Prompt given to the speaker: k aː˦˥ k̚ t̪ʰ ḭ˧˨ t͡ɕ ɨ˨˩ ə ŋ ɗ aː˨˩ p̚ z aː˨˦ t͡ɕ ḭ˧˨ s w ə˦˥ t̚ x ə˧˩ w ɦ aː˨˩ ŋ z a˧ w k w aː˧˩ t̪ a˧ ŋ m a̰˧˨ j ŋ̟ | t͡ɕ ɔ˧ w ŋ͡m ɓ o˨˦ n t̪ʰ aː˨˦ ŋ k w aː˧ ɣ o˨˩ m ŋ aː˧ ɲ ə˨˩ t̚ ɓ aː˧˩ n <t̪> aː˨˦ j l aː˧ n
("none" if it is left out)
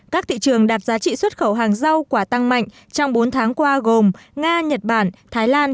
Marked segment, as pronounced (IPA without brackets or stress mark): t̪ʰ